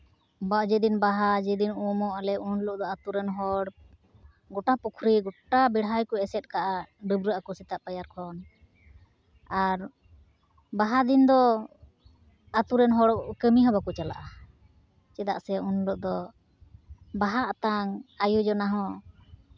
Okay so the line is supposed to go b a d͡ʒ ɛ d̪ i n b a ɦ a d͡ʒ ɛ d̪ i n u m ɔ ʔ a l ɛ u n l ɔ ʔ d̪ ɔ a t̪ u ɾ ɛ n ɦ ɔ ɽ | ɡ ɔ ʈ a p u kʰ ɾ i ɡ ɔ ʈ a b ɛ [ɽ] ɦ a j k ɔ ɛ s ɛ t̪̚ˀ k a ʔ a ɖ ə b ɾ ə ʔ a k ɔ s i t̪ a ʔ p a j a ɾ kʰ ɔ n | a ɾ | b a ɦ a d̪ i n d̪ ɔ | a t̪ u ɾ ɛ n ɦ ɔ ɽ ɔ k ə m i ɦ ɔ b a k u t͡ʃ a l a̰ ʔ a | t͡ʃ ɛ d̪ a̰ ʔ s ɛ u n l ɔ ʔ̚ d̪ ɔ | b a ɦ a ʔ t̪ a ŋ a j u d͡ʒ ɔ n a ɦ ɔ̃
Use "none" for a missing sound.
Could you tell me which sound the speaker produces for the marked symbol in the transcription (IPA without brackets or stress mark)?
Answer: ɽ